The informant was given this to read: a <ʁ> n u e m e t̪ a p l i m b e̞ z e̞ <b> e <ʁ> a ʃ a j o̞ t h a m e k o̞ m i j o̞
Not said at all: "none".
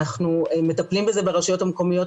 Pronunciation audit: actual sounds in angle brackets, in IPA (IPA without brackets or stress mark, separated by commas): χ, b, ʁ